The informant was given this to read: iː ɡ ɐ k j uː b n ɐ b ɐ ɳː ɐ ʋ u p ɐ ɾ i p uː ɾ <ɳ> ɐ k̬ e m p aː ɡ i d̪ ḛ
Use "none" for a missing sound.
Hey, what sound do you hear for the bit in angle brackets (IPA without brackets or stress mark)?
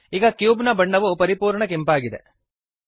ɳ